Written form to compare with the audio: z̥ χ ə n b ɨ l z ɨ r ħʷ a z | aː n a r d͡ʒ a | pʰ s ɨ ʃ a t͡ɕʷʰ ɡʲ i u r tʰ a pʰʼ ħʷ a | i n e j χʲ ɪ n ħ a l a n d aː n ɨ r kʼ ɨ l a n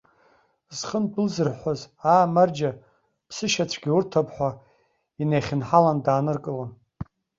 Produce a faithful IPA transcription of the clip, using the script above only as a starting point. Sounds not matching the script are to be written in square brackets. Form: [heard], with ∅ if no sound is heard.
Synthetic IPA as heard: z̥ χ ə n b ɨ l z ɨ r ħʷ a z | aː [m] a r d͡ʒ a | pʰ s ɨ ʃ a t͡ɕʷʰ ɡʲ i u r tʰ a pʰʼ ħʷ a | i n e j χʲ ɪ n ħ a l a n d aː n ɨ r kʼ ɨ l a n